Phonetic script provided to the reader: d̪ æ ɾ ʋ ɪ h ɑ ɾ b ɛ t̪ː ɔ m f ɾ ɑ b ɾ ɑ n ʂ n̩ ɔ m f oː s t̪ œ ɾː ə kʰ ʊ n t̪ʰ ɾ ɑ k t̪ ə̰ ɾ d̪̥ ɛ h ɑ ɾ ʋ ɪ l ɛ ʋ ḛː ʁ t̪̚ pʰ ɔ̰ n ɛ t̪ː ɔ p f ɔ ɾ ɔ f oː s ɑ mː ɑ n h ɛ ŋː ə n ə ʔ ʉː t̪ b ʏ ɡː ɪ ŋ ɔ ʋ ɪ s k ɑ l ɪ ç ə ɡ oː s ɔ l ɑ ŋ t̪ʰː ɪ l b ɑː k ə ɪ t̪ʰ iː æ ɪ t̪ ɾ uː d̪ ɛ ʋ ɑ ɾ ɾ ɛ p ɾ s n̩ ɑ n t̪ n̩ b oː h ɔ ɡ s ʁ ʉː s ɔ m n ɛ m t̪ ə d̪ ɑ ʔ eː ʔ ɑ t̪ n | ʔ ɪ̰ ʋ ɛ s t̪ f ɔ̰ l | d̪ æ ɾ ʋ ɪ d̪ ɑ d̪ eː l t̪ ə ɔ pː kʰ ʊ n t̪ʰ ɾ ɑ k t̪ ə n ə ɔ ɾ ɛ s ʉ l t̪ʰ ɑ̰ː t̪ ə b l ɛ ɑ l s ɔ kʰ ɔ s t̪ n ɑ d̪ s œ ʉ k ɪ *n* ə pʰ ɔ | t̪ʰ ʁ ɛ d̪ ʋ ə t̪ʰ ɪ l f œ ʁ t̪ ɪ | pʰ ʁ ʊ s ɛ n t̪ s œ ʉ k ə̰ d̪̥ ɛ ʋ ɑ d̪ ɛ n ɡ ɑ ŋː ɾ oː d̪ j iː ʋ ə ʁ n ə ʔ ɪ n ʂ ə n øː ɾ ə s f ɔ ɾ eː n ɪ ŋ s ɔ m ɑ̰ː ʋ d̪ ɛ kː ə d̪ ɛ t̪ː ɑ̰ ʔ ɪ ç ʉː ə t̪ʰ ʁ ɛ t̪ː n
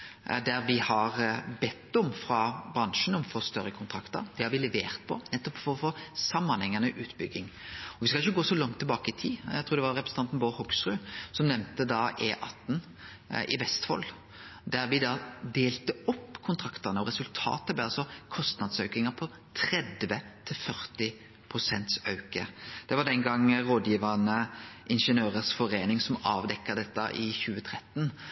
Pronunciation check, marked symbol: incorrect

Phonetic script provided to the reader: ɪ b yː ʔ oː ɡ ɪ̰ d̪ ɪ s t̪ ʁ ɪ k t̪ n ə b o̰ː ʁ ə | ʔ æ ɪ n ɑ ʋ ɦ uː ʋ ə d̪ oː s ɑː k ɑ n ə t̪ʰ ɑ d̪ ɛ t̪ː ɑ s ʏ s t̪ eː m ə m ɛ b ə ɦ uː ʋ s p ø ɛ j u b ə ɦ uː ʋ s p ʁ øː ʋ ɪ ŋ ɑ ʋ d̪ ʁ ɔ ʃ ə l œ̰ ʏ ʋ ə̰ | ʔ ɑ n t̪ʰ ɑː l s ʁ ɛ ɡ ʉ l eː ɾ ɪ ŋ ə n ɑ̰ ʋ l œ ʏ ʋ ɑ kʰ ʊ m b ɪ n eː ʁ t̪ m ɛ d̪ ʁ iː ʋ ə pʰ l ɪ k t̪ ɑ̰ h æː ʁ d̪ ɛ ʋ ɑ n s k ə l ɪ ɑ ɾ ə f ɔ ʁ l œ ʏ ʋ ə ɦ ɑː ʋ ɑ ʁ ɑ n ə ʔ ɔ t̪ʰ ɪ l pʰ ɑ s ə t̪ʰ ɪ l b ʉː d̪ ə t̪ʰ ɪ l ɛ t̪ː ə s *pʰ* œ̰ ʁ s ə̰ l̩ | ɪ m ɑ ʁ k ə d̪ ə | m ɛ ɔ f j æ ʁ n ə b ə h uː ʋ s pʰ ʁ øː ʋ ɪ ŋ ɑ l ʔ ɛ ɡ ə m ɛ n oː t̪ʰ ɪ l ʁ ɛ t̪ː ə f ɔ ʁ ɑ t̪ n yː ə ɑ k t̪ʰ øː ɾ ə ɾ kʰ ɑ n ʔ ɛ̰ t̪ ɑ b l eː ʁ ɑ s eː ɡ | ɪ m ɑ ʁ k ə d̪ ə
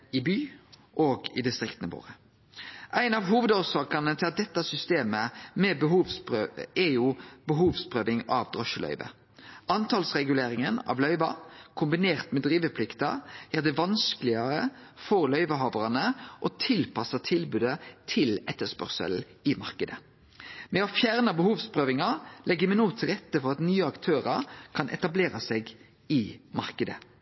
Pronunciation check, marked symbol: incorrect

